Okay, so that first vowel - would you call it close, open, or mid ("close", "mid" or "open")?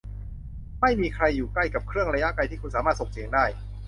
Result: open